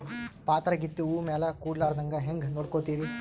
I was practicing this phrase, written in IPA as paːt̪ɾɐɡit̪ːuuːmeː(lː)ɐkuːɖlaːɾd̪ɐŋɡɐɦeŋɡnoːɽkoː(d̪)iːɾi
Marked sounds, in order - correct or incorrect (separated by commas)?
incorrect, incorrect